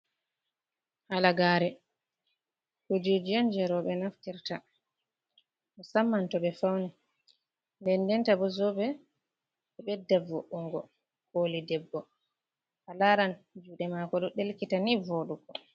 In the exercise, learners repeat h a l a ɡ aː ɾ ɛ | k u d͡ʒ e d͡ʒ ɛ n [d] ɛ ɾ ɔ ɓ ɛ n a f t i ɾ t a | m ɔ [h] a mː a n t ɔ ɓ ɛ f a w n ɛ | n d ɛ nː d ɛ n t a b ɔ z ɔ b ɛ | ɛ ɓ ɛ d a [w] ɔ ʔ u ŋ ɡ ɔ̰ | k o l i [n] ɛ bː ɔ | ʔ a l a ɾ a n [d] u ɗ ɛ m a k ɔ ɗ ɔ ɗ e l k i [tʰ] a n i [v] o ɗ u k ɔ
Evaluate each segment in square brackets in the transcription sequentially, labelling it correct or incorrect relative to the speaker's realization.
incorrect, incorrect, incorrect, incorrect, incorrect, incorrect, correct

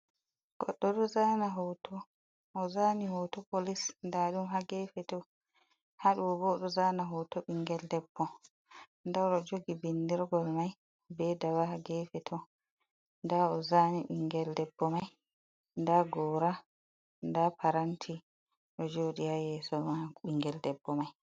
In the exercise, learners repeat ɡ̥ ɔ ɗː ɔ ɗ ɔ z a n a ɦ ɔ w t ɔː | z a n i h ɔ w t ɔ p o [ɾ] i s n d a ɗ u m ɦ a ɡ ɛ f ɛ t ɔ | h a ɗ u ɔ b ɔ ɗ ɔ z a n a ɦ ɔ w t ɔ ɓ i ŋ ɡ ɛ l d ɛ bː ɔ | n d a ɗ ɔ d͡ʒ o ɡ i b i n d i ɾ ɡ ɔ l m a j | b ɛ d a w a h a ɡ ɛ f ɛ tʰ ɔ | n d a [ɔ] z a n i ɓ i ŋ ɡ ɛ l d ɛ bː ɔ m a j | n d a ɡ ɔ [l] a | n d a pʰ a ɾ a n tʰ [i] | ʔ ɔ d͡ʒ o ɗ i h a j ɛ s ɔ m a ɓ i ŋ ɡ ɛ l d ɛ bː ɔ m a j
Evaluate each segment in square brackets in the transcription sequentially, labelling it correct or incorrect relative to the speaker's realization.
incorrect, correct, incorrect, correct

